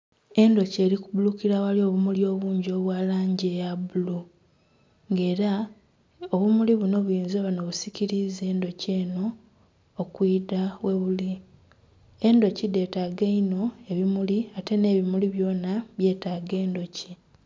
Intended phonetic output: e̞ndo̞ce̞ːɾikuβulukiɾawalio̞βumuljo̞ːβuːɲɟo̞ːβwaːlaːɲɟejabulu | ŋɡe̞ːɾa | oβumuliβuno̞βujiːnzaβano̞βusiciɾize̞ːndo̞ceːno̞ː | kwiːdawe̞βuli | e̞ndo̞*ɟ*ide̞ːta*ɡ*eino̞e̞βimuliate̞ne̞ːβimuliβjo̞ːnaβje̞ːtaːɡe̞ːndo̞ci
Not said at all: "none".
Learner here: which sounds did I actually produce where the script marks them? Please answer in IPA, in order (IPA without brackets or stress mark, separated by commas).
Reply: c, ɡ